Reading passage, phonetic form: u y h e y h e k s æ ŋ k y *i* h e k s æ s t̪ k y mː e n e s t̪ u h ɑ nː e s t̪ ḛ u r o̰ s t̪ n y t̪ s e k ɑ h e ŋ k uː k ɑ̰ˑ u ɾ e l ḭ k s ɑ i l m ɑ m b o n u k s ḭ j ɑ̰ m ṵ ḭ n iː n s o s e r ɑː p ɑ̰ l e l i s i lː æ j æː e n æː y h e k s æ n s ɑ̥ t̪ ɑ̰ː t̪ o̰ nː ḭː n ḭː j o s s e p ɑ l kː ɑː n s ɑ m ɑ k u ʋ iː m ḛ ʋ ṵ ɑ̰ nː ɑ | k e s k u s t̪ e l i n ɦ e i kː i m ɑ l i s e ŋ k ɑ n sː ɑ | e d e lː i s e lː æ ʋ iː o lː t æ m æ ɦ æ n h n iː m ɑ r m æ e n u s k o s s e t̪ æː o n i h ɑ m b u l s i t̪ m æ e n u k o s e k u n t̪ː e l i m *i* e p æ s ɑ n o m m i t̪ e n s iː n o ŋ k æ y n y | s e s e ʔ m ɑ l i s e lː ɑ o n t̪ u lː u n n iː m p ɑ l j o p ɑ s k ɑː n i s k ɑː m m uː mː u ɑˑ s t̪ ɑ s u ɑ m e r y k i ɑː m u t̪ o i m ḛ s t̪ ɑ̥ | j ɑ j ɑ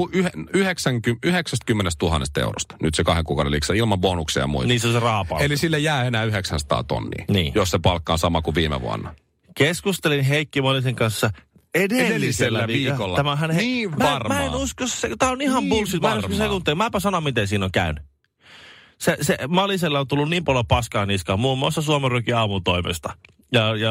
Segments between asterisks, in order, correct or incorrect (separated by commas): incorrect, incorrect